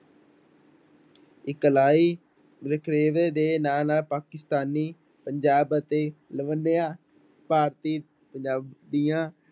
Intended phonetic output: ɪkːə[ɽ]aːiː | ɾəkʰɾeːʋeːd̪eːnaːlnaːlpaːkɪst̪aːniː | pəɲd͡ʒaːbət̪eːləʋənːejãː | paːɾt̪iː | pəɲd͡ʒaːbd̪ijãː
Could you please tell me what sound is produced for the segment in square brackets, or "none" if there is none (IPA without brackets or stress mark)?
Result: l